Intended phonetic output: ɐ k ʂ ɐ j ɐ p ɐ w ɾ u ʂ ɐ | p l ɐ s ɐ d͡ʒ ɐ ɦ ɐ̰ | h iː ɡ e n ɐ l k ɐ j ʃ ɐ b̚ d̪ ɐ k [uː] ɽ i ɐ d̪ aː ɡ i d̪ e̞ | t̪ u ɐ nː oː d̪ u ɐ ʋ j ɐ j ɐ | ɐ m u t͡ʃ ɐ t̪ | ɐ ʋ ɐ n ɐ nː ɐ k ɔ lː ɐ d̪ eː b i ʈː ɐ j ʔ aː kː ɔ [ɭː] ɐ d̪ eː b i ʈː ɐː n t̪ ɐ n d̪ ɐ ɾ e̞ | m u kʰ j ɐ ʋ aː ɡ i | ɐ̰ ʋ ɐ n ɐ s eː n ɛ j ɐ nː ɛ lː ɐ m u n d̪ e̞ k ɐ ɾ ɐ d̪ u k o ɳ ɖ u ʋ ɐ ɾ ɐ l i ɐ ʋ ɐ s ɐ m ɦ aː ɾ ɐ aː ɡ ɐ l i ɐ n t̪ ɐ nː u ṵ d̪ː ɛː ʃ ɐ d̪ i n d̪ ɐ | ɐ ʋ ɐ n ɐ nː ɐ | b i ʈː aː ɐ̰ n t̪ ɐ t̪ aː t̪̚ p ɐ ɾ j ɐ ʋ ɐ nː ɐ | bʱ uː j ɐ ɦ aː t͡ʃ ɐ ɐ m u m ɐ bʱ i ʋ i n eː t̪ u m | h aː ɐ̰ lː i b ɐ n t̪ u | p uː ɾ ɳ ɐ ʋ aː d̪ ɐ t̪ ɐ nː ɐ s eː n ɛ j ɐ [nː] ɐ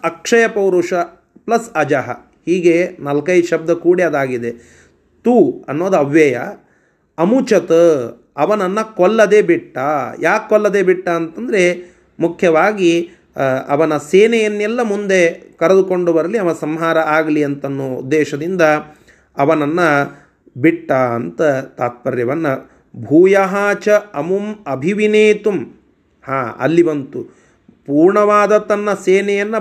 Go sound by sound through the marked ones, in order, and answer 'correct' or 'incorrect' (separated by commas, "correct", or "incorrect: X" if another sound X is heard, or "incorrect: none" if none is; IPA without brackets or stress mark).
correct, incorrect: lː, correct